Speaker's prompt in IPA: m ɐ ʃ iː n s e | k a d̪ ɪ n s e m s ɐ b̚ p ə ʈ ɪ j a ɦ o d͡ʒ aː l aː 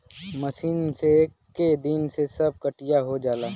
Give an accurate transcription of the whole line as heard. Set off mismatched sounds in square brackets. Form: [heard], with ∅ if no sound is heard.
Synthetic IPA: m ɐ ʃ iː n s e | k [e] d̪ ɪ n s e [∅] s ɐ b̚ [k] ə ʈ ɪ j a ɦ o d͡ʒ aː l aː